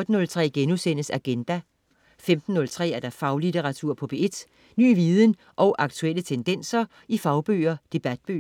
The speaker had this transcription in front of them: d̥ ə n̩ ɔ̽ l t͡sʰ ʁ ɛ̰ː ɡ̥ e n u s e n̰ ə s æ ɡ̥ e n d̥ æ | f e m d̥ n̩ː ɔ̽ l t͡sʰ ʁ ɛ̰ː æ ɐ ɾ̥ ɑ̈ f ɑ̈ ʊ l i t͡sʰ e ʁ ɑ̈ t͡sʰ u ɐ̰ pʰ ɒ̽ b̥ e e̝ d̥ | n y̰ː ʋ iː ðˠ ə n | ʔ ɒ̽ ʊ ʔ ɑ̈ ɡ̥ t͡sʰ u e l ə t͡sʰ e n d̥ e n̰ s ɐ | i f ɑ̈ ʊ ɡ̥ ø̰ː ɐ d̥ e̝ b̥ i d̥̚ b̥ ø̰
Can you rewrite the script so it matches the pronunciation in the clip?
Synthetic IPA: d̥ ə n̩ ɔ̽ l t͡sʰ ʁ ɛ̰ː ɡ̥ e n u s e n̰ ə s æ ɡ̥ e n d̥ æ | f e m d̥ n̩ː ɔ̽ l t͡sʰ ʁ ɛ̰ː æ ɐ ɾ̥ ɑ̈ f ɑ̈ ʊ l i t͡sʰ e ʁ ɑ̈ t͡sʰ u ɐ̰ pʰ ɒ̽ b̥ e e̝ d̥ | n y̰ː ʋ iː ðˠ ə n | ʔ ɒ̽ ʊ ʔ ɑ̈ ɡ̥ t͡sʰ u e l ə t͡sʰ e n d̥ e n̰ s ɐ | i f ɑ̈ ʊ b̥ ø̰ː ɐ d̥ e̝ b̥ æ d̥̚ b̥ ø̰